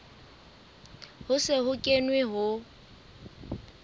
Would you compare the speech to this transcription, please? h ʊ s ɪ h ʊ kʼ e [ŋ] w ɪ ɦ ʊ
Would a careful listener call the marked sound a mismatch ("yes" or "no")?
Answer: yes